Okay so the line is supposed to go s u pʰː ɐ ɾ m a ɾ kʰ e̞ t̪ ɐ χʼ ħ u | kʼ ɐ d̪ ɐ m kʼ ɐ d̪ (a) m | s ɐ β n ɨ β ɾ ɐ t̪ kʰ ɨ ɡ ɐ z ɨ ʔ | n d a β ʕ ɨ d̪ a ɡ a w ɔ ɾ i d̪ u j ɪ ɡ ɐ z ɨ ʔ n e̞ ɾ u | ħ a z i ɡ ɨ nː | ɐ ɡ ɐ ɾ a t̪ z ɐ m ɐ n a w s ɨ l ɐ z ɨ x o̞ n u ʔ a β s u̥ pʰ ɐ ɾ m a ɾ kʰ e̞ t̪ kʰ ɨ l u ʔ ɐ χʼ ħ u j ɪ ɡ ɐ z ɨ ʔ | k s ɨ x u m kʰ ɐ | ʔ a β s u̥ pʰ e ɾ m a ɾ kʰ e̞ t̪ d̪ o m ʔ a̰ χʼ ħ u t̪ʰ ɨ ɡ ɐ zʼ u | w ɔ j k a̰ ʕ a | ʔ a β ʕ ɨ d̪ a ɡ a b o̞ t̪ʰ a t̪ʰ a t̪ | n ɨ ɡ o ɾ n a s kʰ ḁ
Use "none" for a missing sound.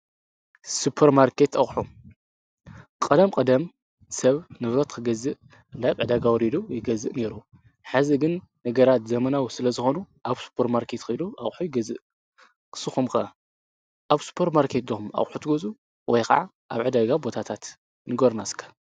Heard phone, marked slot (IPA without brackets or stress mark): ɐ